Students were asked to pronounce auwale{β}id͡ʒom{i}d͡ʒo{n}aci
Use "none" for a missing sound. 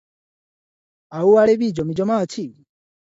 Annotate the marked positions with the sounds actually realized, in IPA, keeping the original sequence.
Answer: β, i, m

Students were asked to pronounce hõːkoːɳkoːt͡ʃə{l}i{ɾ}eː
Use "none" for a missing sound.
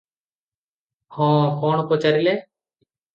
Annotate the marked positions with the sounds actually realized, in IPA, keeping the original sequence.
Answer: ɾ, l

